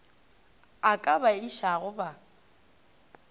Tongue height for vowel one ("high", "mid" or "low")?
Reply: low